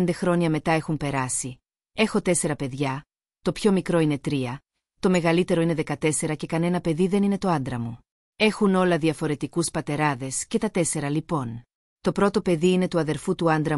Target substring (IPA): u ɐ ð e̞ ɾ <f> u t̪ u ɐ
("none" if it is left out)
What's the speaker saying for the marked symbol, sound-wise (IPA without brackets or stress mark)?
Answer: f